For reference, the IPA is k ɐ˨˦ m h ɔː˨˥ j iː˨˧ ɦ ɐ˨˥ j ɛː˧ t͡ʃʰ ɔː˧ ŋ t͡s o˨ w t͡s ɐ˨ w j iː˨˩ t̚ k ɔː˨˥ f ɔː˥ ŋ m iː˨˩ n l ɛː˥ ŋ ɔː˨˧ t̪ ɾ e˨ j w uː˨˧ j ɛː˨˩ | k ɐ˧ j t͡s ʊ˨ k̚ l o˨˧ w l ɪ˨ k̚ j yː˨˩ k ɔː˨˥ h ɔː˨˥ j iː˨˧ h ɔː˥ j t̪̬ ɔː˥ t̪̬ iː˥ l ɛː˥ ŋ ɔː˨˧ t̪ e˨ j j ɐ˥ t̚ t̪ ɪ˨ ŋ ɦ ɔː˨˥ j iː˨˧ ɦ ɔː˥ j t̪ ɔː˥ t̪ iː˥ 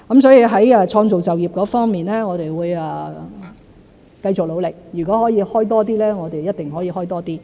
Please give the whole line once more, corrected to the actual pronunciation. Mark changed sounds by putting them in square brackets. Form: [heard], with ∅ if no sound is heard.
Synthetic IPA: k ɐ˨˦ m [s] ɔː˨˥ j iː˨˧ ɦ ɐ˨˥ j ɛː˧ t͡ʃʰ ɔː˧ ŋ t͡s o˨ w t͡s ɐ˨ w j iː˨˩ [p̚] k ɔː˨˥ f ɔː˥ ŋ m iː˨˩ n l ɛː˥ ŋ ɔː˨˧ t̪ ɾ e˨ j w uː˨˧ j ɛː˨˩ | k ɐ˧ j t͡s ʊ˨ k̚ l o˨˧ w l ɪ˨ k̚ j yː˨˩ k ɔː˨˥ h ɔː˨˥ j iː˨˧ h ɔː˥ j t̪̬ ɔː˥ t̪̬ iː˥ l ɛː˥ ŋ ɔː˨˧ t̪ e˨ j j ɐ˥ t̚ t̪ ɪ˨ ŋ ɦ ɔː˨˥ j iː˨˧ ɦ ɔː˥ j t̪ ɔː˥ t̪ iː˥